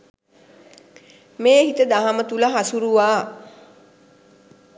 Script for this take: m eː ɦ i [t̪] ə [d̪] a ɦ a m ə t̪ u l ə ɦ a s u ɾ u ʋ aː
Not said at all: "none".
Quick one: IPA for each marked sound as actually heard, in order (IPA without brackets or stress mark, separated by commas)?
t̪, d̪